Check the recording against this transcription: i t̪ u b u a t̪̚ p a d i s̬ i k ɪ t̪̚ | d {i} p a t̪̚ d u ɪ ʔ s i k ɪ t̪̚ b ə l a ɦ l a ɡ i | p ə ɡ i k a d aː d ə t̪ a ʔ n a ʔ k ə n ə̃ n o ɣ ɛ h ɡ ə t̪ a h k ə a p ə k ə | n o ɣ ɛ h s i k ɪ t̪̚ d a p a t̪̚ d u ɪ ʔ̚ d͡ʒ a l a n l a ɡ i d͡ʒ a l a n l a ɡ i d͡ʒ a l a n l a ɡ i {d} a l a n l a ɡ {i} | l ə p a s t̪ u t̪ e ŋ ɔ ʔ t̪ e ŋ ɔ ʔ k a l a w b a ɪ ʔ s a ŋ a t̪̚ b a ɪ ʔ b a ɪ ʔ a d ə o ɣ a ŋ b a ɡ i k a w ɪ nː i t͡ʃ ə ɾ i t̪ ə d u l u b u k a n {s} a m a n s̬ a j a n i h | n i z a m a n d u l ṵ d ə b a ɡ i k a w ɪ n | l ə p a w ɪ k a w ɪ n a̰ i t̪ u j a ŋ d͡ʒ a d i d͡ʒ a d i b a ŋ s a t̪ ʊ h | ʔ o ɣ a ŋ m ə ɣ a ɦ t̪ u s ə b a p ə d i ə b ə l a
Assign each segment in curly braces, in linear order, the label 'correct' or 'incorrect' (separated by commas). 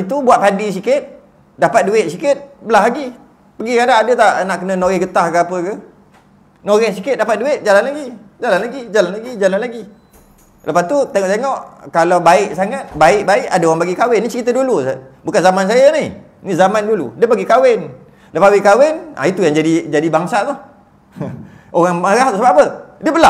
incorrect, incorrect, correct, incorrect